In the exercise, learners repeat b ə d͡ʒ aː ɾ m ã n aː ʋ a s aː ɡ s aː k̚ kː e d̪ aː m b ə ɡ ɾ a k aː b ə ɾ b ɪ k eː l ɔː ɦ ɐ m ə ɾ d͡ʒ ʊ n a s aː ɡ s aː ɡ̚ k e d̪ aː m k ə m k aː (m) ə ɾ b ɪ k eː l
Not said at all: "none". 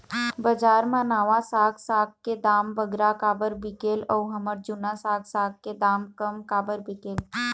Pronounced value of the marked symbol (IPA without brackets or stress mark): b